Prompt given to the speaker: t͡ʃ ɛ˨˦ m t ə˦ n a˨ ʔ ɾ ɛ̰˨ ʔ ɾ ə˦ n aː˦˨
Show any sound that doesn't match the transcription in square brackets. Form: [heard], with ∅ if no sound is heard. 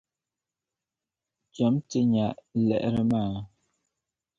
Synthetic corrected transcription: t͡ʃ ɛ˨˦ m t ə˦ [ɲ] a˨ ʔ [l] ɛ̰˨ ʔ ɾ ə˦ [m] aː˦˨